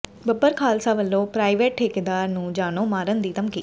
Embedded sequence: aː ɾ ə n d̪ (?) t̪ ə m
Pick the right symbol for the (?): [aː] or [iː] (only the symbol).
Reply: iː